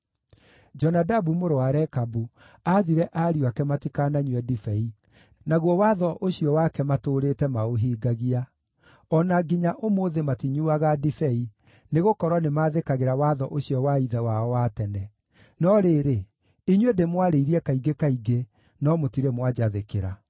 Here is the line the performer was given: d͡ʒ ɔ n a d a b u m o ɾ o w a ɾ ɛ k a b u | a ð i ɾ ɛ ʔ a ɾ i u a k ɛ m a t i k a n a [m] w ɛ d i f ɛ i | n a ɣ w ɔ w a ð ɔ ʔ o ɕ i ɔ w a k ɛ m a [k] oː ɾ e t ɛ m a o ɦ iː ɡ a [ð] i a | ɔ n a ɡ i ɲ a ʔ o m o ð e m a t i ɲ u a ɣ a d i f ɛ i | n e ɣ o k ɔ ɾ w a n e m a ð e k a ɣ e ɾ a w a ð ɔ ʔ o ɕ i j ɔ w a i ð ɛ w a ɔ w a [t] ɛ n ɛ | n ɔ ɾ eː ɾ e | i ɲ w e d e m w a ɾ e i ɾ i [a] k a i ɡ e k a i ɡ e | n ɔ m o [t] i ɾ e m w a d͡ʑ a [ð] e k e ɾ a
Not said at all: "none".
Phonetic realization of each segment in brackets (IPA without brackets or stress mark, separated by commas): ɲ, t, ɣ, t, ɛ, t, ð